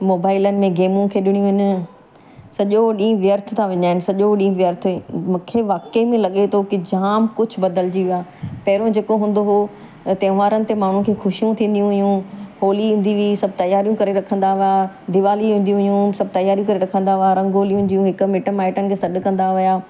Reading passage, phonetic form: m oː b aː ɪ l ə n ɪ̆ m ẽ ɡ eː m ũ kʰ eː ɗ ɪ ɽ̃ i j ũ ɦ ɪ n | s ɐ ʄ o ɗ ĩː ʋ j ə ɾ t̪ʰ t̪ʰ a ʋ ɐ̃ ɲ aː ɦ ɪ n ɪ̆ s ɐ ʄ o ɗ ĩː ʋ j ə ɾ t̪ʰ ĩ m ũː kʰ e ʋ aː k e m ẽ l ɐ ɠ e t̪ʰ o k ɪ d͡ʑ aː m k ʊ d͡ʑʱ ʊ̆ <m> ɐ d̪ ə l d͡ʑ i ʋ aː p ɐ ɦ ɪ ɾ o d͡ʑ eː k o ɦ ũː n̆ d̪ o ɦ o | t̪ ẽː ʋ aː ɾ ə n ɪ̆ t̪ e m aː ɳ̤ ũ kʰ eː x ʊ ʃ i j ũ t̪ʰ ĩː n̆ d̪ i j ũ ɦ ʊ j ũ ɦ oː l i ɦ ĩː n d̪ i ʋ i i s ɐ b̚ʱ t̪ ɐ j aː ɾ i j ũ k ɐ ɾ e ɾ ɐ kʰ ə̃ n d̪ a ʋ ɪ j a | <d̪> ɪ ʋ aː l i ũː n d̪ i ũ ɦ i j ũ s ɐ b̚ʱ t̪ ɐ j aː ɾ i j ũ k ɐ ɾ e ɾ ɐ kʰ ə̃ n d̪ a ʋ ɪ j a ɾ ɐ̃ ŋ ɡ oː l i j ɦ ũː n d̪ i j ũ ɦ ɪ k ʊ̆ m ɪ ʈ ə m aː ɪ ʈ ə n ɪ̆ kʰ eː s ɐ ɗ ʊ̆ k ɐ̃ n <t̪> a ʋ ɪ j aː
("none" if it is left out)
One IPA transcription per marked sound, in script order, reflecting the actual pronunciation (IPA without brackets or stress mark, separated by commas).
b, d̪, d̪